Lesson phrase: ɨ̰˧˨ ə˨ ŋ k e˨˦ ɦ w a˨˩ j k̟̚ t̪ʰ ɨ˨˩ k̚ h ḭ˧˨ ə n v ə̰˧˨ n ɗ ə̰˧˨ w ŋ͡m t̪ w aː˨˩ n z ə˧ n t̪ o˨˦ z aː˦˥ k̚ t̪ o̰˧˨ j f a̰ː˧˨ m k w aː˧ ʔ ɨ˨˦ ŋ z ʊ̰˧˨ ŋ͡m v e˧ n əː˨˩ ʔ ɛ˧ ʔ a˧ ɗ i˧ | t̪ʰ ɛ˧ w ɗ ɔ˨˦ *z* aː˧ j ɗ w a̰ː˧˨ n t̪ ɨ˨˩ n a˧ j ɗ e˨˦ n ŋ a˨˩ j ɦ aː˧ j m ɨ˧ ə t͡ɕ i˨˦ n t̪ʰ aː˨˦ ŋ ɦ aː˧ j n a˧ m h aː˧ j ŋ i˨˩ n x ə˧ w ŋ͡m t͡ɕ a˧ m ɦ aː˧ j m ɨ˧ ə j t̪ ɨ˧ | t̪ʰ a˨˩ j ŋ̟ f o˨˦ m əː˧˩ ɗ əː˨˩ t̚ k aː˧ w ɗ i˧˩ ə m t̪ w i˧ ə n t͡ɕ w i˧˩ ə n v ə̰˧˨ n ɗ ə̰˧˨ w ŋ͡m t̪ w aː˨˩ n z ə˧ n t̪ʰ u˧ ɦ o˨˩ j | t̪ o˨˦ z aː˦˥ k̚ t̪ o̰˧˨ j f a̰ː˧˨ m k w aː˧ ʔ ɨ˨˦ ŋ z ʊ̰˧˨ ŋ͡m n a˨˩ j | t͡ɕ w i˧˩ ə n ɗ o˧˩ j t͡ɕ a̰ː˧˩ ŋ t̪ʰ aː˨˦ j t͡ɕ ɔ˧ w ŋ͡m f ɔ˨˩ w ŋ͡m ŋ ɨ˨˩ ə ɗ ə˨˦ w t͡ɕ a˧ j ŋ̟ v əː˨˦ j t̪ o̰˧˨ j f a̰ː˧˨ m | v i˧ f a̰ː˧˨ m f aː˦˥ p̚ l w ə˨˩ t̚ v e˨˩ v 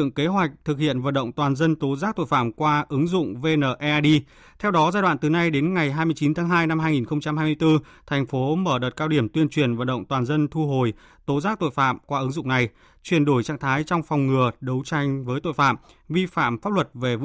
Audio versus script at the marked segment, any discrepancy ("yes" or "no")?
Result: no